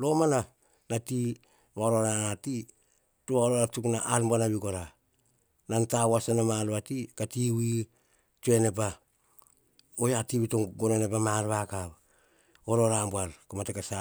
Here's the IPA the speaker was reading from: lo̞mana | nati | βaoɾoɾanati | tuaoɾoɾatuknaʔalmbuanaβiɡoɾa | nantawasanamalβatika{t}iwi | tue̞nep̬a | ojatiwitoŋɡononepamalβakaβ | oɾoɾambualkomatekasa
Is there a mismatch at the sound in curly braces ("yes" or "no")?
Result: no